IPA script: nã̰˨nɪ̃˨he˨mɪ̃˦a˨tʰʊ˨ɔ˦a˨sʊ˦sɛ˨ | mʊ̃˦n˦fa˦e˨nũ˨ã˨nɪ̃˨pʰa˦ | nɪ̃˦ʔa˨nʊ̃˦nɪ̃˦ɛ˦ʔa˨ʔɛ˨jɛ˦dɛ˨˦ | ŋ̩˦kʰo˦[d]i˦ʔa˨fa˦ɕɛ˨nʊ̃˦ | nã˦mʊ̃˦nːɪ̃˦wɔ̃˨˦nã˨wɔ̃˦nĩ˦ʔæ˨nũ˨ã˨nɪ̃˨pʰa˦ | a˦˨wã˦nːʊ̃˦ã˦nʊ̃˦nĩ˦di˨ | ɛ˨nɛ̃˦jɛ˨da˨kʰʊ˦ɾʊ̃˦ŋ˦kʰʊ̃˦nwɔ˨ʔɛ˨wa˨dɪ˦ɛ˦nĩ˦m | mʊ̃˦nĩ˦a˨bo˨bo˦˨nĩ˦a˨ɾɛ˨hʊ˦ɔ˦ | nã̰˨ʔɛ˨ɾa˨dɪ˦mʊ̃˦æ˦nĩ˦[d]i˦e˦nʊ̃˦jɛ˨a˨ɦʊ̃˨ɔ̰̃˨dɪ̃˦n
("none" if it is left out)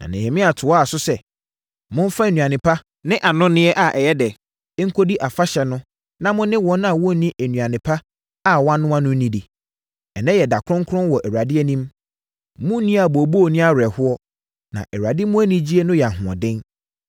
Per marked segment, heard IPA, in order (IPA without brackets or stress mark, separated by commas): d, d͡ʑ